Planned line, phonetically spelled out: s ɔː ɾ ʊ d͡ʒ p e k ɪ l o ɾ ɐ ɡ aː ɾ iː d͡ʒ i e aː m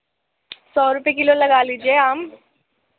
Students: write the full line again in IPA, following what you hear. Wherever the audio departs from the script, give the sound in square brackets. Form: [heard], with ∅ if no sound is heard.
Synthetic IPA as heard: s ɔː ɾ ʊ [∅] p e k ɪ l o [l] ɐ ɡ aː [l] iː d͡ʒ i e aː m